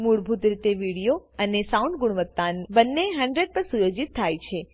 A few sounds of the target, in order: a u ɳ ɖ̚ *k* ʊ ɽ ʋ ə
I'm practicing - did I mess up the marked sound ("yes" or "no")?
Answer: yes